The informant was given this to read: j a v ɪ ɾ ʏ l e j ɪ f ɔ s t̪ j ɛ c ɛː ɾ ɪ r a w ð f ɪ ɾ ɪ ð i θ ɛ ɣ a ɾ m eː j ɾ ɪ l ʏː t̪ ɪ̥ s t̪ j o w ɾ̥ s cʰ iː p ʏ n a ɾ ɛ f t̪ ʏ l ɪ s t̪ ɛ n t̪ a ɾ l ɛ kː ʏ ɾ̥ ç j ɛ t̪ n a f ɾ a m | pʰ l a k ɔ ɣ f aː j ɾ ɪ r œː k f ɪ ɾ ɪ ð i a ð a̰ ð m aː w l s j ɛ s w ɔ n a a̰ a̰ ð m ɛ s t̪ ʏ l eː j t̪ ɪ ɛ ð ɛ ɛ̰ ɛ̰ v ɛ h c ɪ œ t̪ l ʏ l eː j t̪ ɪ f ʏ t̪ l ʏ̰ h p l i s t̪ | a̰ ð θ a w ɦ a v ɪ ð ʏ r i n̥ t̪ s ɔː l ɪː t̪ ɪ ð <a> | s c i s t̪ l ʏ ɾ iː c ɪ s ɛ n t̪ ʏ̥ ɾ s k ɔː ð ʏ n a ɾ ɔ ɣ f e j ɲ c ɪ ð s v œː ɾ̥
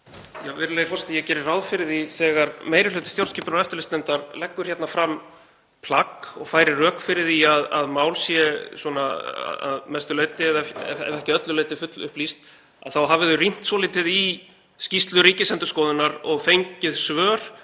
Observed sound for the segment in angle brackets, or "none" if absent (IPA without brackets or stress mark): i